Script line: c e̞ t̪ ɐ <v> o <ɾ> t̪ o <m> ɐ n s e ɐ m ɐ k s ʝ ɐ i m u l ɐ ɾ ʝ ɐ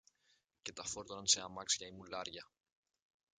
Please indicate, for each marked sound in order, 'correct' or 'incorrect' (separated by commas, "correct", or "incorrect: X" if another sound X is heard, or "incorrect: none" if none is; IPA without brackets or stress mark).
incorrect: f, correct, incorrect: n